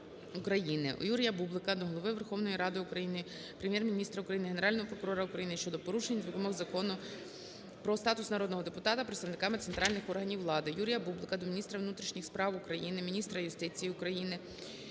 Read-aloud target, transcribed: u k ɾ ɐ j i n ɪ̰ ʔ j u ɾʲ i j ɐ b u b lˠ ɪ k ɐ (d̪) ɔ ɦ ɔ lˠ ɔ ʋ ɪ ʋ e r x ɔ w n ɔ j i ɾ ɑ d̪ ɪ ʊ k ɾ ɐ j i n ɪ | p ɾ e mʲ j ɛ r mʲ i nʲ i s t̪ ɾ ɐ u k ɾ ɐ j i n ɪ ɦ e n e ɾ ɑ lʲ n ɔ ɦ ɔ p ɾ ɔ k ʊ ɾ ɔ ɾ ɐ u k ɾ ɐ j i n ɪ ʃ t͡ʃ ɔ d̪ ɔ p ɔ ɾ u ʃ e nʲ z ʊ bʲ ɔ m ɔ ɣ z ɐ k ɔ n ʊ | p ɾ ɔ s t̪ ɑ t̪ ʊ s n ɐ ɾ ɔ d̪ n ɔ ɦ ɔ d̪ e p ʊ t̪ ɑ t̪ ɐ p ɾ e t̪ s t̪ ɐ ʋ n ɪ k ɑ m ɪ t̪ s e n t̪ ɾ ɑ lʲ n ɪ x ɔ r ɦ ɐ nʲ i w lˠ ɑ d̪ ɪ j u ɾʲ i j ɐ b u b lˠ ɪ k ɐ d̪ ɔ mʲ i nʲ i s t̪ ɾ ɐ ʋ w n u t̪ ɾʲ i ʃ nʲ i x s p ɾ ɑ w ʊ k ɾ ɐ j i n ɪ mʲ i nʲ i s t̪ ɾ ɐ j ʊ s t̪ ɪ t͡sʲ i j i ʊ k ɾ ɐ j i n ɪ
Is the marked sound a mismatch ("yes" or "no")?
no